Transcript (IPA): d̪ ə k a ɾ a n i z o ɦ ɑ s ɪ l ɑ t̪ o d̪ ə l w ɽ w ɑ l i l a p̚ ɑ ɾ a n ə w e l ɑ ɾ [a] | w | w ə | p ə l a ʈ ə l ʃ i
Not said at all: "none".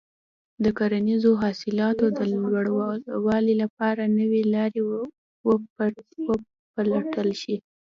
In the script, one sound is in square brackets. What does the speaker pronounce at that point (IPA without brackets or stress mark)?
e